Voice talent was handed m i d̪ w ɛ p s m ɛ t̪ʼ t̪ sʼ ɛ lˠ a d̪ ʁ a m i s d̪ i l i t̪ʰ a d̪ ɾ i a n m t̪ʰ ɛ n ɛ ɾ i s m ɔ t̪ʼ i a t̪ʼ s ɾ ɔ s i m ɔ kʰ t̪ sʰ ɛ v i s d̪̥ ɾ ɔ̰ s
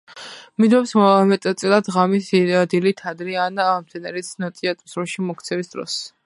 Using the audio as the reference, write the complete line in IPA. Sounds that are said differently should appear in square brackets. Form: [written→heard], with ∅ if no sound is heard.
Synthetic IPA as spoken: m i d̪ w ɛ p s m ɛ t̪ʼ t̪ sʼ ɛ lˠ a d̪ ʁ a m i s d̪ i l i t̪ʰ a d̪ ɾ i a n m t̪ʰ ɛ n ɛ ɾ i s [m→n] ɔ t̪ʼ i a t̪ʼ s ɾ ɔ [s→ʃ] i m ɔ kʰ t̪ sʰ ɛ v i s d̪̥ ɾ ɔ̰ s